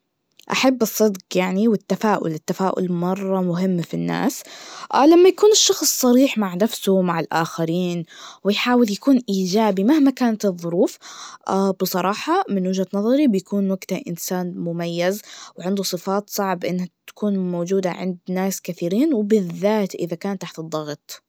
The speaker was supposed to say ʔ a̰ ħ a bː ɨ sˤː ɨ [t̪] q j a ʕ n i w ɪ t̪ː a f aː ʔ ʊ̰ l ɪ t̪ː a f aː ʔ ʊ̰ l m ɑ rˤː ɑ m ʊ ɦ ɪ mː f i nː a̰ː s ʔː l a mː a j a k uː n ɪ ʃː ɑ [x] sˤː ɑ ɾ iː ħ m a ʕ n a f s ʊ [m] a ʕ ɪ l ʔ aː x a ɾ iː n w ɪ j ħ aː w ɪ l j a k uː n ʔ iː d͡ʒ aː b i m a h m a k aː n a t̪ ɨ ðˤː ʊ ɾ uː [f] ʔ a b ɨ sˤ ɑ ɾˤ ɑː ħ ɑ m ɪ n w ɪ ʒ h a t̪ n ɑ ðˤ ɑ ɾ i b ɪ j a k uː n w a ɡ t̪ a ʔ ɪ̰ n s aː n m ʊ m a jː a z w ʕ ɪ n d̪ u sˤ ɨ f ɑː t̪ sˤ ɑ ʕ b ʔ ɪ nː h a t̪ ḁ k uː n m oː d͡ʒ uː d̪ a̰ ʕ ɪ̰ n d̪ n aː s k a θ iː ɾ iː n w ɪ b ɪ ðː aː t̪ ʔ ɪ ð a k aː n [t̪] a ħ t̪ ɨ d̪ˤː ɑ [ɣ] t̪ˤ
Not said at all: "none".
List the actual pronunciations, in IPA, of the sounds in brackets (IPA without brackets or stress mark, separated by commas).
d̪, x, m, f, t̪, ɣ